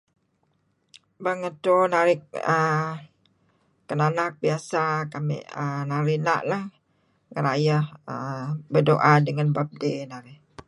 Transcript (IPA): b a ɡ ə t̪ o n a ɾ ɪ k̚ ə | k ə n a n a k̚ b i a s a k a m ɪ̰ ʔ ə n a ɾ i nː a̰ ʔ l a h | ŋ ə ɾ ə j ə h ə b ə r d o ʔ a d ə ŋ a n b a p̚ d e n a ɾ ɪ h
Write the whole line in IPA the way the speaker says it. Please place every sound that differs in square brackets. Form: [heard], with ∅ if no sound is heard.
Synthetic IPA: b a [ŋ] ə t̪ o n a ɾ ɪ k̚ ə | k ə n a n a k̚ b i a s a k a m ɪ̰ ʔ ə n a ɾ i [n] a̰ ʔ l a h | ŋ ə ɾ [a] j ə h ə b ə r d o ʔ a d ə ŋ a n b a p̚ d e n a ɾ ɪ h

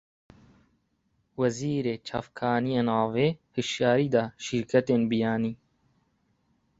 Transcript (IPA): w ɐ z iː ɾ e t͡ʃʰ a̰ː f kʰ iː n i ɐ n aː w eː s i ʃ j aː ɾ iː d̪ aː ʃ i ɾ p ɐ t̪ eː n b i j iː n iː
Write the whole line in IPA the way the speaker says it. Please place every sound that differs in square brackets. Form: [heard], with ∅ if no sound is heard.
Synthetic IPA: w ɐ z iː ɾ e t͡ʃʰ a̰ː f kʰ [aː] n i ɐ n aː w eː [h] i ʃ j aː ɾ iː d̪ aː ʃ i ɾ [k] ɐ t̪ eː n b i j [aː] n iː

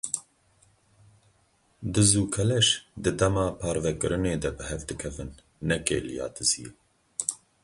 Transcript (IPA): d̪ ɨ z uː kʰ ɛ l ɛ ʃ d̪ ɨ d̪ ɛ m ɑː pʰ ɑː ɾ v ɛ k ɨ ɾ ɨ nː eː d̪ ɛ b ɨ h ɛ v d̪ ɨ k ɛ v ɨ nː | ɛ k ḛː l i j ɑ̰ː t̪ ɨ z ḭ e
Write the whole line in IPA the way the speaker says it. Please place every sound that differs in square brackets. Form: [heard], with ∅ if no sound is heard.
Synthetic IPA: d̪ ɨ z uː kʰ ɛ l ɛ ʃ d̪ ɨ d̪ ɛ m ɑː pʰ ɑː ɾ v ɛ k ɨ ɾ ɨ [n] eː d̪ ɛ b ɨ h ɛ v d̪ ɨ [kʰ] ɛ v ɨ nː | ɛ k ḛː l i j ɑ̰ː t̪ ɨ z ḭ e

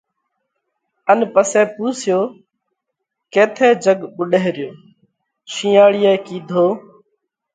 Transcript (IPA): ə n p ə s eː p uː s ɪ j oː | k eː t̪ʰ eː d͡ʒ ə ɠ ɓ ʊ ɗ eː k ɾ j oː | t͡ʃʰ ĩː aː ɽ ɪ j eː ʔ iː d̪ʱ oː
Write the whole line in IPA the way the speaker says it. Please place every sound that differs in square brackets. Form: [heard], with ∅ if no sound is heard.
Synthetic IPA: ə n p ə s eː p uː s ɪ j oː | k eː t̪ʰ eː d͡ʒ ə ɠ ɓ ʊ ɗ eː [∅] ɾ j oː | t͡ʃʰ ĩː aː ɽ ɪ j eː [k] iː d̪ʱ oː

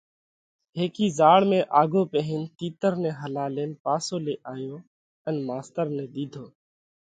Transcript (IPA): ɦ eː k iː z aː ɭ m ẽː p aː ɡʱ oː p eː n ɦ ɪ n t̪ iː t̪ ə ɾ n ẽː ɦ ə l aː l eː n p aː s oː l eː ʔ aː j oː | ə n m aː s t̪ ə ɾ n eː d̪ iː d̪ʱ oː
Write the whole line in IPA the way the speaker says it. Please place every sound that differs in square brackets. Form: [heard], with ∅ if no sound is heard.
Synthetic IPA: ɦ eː k iː z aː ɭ m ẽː [ʔ] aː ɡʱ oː p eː [∅] ɦ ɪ n t̪ iː t̪ ə ɾ n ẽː ɦ ə l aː l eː n p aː s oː l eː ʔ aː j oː | ə n m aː s t̪ ə ɾ n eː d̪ iː d̪ʱ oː

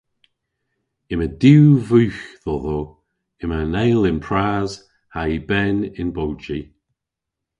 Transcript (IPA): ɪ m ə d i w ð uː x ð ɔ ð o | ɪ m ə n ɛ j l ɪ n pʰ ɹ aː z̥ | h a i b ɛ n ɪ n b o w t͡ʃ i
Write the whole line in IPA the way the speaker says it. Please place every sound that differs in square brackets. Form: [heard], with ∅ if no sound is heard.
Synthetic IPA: ɪ m ə d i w [v] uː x ð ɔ ð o | ɪ m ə n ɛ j l ɪ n pʰ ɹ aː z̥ | h a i b ɛ n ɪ n b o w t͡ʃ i

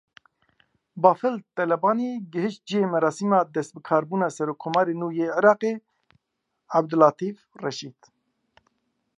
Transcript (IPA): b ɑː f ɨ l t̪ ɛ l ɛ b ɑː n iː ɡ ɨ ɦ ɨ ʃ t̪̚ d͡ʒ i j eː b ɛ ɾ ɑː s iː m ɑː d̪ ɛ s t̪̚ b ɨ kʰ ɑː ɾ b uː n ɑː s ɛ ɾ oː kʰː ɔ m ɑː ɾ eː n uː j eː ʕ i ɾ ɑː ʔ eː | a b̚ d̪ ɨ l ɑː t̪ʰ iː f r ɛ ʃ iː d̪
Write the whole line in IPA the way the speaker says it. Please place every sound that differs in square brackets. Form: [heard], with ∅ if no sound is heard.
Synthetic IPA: b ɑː f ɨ l t̪ ɛ l ɛ b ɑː n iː ɡ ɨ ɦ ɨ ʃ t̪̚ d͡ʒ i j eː [m] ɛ ɾ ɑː s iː m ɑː d̪ ɛ s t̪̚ b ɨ kʰ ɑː ɾ b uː n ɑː s ɛ ɾ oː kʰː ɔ m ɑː ɾ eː n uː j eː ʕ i ɾ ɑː [q] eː | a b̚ d̪ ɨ l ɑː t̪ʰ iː f r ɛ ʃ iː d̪

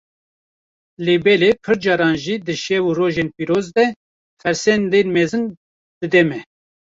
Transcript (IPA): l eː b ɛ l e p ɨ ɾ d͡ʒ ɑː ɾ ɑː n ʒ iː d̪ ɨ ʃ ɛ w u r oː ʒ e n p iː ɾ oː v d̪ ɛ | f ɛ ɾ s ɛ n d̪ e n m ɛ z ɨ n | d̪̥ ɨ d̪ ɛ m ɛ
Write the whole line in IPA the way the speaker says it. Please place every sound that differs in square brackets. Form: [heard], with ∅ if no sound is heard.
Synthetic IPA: l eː b ɛ l e [pʰ] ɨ ɾ d͡ʒ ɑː ɾ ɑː n ʒ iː d̪ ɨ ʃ ɛ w u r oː ʒ e n p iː ɾ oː [z] d̪ ɛ | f ɛ ɾ s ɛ n d̪ e n m ɛ z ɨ n | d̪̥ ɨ d̪ ɛ m ɛ

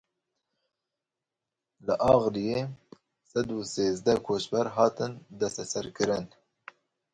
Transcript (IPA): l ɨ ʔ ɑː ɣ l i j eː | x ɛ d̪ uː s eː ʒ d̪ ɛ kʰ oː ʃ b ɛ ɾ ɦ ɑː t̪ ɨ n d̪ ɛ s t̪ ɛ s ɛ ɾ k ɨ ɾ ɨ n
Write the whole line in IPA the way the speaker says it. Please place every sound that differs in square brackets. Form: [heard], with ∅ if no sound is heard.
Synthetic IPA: l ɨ ʔ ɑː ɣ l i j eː | [s] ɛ d̪ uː s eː [z] d̪ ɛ kʰ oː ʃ b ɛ ɾ ɦ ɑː t̪ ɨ n d̪ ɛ s t̪ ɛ s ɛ ɾ k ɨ ɾ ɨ n

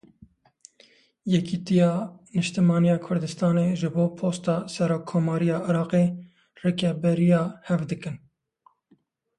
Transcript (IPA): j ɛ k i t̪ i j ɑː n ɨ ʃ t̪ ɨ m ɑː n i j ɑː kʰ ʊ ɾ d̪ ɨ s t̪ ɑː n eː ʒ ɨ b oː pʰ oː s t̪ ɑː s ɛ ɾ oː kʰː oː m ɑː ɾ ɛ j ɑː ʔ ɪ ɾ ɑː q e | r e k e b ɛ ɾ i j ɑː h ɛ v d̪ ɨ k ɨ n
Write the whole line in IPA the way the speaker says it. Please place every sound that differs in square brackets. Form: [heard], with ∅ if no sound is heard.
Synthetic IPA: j ɛ k i t̪ i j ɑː n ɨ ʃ t̪ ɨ m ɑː n i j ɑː kʰ ʊ ɾ d̪ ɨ s t̪ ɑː n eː ʒ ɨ b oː pʰ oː s t̪ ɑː s ɛ ɾ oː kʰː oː m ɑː ɾ [i] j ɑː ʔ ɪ ɾ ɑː q e | r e k [ɛ] b ɛ ɾ i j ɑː h ɛ v d̪ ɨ k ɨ n

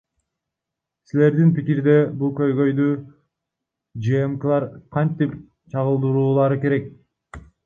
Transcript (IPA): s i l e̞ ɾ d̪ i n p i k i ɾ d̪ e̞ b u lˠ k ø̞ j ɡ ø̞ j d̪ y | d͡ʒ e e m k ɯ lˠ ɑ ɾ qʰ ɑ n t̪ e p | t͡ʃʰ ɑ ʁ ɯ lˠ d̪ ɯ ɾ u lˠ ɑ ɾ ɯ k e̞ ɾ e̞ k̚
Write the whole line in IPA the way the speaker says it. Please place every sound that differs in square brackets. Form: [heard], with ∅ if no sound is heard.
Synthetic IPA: s i l e̞ ɾ d̪ i n p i k i ɾ d̪ e̞ b u lˠ k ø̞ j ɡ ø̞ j d̪ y | d͡ʒ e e m k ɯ lˠ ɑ ɾ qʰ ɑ n t̪ [i] p | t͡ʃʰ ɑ ʁ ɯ lˠ d̪ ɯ ɾ [uː] lˠ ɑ ɾ ɯ k e̞ ɾ e̞ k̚

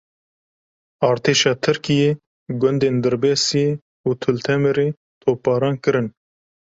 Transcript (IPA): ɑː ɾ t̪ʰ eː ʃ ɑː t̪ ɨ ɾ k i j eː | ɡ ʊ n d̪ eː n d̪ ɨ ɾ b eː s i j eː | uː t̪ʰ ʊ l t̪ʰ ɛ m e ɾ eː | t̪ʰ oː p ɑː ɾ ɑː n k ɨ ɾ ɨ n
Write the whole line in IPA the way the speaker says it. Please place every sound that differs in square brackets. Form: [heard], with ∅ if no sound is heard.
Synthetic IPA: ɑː ɾ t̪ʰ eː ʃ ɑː [t̪ʰ] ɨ ɾ k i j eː | ɡ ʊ n d̪ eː n d̪ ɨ ɾ b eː s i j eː | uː t̪ʰ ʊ l t̪ʰ ɛ m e ɾ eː | t̪ʰ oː p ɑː ɾ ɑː n k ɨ ɾ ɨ n

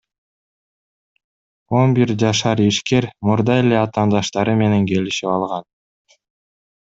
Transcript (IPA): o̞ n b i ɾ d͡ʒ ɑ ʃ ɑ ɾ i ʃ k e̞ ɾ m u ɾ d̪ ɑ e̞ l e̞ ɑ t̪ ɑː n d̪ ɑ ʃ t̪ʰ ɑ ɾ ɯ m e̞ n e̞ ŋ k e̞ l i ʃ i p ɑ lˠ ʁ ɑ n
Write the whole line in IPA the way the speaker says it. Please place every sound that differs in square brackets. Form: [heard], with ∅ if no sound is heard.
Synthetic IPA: o̞ n b i ɾ d͡ʒ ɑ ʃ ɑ ɾ i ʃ k e̞ ɾ m u ɾ d̪ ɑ e̞ l e̞ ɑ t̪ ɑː n d̪ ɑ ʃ [t̪] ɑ ɾ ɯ m e̞ n e̞ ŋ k e̞ l i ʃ i p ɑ lˠ ʁ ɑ n

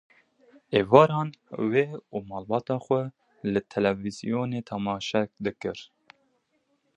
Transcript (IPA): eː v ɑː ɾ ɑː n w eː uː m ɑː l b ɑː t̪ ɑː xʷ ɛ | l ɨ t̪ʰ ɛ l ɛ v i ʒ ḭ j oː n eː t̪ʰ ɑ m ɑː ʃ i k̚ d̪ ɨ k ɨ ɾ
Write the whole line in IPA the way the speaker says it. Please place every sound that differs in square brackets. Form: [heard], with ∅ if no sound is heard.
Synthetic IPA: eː v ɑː ɾ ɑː n w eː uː m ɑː l b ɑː t̪ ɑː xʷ ɛ | l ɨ t̪ʰ ɛ l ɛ v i [z] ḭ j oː n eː t̪ʰ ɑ m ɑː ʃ [ɛ] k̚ d̪ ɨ k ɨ ɾ

